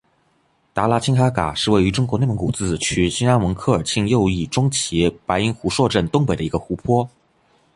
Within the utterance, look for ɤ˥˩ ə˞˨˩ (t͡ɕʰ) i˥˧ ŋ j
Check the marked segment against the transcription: correct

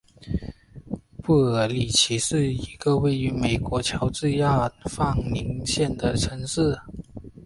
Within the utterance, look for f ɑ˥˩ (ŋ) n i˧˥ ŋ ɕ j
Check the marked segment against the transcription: correct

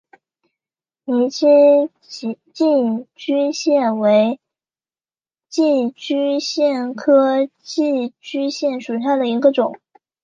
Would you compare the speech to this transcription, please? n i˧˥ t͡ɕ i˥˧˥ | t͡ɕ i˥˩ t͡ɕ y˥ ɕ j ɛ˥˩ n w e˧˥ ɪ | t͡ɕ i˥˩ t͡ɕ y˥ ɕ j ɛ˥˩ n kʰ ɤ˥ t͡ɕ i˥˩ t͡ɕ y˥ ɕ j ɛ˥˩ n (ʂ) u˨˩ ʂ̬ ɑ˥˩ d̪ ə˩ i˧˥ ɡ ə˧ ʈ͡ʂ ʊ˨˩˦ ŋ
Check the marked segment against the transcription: correct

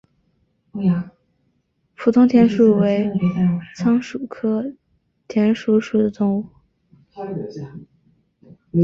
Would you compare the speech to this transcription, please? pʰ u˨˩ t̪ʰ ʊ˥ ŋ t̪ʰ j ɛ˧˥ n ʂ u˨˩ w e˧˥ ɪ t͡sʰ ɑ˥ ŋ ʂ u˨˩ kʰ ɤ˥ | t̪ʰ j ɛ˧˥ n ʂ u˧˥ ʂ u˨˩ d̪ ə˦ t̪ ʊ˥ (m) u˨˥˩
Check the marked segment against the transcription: incorrect: ŋ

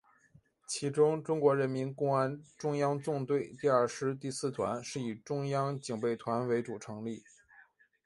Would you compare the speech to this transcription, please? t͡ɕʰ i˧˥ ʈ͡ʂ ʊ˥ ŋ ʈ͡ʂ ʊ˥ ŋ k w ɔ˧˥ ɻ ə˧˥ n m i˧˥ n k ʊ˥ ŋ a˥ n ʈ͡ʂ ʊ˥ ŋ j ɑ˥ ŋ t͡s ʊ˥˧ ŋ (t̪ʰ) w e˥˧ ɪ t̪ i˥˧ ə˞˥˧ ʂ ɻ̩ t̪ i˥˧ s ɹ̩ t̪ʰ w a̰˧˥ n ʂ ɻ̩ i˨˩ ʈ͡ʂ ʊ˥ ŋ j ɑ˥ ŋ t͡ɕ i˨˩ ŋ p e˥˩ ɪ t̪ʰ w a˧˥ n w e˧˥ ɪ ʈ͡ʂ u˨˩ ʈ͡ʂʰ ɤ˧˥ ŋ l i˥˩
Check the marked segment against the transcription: incorrect: t̪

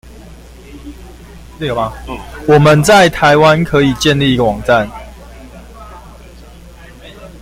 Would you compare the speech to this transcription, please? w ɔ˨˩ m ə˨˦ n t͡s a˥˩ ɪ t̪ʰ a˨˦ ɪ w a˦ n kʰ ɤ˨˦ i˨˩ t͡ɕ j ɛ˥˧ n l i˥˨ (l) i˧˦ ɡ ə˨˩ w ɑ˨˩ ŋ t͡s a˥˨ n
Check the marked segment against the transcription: incorrect: none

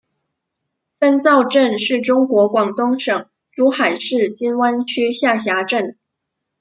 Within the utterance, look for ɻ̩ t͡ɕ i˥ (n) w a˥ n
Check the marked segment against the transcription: correct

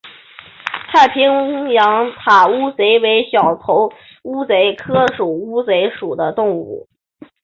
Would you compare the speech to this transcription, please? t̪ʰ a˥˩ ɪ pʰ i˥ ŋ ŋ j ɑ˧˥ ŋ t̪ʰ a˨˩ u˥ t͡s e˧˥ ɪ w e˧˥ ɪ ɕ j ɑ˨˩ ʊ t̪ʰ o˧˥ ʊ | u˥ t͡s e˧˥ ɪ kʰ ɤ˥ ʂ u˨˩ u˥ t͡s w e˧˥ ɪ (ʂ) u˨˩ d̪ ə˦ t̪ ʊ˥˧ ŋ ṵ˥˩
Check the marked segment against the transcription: correct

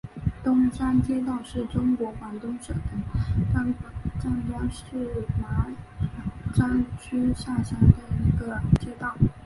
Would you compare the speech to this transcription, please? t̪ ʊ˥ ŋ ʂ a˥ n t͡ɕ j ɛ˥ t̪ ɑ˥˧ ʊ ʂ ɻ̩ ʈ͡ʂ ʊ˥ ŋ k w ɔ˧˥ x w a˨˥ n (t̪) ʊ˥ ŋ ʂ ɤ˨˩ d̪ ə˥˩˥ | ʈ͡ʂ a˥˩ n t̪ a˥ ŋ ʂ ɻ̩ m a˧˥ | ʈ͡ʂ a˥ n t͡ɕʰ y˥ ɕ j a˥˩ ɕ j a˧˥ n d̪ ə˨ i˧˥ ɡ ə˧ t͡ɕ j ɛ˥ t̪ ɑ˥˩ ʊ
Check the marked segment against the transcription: correct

